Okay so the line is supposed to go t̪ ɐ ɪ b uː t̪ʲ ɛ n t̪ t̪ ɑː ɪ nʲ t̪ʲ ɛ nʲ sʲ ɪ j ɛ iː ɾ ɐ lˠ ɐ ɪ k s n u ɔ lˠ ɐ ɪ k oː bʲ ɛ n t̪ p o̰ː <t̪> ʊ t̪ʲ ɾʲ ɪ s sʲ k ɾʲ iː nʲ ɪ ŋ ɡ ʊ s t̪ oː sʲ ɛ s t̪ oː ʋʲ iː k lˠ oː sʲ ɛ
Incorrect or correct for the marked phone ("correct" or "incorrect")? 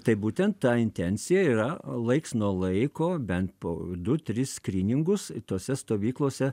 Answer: incorrect